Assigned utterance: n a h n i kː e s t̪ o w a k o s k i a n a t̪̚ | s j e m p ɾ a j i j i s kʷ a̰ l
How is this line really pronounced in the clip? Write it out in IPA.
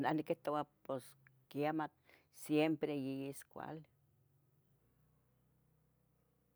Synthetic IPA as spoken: n a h n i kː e h t̪ o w a p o s k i a m a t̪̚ | s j e m p ɾ e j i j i s kʷ a̰ l